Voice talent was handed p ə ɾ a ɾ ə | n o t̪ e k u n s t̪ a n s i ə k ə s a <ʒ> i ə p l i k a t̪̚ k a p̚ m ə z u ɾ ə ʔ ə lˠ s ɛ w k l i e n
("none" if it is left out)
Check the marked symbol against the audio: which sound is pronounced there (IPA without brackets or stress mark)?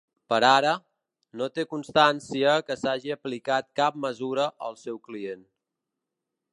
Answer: ʒ